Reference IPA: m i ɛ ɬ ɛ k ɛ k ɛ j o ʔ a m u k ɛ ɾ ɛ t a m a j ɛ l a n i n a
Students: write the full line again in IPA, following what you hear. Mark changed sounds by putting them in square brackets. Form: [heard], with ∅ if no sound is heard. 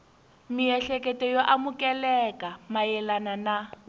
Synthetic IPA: m i ɛ ɬ ɛ k ɛ [t] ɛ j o ʔ a m u k ɛ [l] ɛ [k] a m a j ɛ l a n [a] n a

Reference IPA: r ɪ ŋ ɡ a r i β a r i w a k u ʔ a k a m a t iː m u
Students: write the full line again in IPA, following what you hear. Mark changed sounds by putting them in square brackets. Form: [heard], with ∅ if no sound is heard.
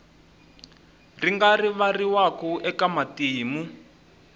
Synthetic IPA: r [i] ŋ ɡ a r i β a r i w a k u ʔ [ɛ] k a m a t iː m u

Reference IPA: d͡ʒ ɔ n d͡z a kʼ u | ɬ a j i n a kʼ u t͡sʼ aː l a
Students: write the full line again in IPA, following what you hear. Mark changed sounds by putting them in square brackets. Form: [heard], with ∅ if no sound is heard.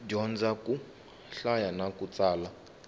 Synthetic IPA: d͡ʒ ɔ n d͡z a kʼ u | ɬ a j [a] n a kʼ u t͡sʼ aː l a

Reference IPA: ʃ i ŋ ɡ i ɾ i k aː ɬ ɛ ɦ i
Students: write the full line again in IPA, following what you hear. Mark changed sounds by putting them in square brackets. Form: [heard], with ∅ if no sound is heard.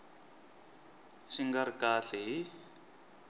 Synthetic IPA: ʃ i ŋ ɡ [a] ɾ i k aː ɬ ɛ ɦ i

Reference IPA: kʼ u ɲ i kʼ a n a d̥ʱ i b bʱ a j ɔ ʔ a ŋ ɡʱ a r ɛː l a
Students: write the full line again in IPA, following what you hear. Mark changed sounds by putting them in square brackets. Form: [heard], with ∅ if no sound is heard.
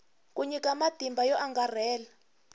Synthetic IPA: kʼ u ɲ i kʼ a [m] a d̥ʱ i [m] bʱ a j ɔ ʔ a ŋ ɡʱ a r ɛː l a

